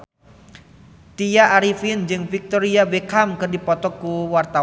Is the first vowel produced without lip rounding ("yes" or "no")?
yes